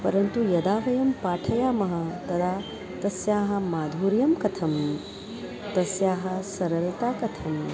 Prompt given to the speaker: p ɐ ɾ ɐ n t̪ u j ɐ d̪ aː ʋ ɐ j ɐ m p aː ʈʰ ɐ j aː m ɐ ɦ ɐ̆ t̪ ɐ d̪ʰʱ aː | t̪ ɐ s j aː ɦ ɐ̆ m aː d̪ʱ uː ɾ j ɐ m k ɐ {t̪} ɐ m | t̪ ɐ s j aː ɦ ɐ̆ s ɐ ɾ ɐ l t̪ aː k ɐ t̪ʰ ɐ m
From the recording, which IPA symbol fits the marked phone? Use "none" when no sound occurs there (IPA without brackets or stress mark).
t̪ʰ